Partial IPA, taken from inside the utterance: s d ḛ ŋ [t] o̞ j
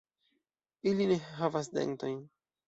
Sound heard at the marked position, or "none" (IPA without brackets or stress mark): t